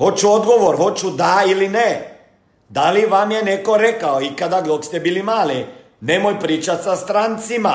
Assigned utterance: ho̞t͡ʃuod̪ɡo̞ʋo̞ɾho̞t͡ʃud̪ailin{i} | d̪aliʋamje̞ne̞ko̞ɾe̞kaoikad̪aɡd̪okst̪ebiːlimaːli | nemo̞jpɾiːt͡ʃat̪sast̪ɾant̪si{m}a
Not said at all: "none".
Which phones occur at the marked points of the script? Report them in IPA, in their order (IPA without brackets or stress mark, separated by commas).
e, m